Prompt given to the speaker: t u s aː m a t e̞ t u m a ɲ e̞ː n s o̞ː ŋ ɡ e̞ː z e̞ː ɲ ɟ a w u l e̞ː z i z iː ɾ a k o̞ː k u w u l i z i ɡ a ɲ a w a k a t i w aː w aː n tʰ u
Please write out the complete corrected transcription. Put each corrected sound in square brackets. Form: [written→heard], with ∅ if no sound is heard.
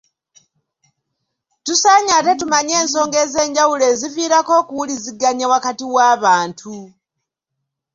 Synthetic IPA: t u s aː [m→ɲ] a t e̞ t u m a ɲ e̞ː n s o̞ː ŋ ɡ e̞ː z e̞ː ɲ ɟ a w u l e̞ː z i [z→v] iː ɾ a k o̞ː k u w u l i z i ɡ a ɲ a w a k a t i w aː [w→β] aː n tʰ u